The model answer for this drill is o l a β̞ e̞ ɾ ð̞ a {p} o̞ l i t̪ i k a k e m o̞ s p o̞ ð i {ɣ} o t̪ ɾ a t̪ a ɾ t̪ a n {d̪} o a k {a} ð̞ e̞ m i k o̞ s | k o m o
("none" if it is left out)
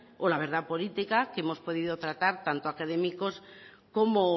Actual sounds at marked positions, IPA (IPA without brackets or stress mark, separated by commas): p, ð, t̪, a